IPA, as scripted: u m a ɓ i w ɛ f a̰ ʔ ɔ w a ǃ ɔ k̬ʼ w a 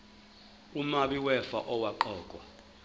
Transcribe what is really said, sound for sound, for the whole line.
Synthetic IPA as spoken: u m a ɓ i w ɛ f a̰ ʔ ɔ w a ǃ ɔː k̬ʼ w a